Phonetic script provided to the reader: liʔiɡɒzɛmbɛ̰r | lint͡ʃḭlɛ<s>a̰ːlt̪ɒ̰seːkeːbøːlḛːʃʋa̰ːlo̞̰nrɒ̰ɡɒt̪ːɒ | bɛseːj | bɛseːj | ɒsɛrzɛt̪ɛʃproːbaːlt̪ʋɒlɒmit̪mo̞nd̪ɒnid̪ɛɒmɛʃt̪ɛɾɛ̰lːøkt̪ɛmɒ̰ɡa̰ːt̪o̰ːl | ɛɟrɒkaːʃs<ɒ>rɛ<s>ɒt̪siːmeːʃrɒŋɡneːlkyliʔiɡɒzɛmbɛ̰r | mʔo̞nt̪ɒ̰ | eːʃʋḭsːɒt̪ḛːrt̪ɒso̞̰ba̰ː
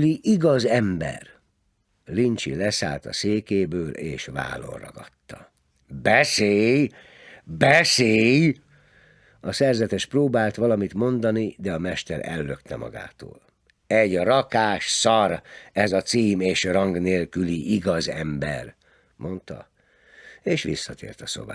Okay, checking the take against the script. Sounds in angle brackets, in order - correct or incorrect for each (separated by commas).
correct, correct, incorrect